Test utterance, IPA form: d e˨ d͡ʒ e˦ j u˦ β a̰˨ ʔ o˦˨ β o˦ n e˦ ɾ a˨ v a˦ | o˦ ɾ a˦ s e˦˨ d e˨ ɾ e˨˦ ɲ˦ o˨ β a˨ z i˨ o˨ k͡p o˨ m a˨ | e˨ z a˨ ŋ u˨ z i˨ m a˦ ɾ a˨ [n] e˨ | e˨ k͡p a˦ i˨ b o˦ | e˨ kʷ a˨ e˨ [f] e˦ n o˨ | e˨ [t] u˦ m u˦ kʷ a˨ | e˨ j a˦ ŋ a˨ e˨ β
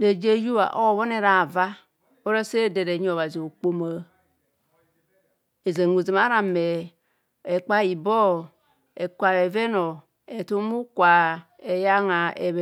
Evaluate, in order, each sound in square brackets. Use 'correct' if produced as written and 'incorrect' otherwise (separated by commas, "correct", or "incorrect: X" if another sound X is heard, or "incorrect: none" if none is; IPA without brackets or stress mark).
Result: incorrect: m, incorrect: v, correct